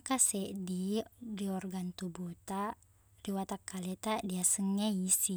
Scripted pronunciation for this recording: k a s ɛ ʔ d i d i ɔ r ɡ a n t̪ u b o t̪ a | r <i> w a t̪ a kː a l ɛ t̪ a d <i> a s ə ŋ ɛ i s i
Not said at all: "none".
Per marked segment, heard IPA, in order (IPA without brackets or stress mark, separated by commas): i, i